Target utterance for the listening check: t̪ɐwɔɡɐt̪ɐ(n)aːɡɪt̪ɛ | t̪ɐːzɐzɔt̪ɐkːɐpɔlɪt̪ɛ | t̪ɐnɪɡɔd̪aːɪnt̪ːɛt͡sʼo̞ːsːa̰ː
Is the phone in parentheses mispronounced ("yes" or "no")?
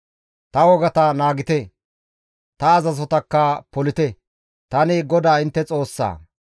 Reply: no